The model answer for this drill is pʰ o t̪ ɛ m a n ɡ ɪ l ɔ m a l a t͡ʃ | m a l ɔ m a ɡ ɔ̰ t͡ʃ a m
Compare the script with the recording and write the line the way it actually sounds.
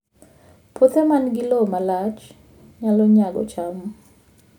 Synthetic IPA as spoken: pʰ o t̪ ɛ m a n ɡ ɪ l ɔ m a l a t͡ʃ | ɲ a l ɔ ɲ a ɡ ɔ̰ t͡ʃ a m